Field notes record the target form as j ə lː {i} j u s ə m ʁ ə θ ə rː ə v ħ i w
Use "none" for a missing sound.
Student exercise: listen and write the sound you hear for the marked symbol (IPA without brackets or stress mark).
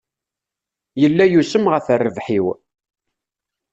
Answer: æ